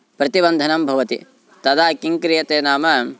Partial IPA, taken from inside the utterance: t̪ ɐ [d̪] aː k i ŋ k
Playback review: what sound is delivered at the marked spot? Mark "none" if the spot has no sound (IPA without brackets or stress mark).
d̪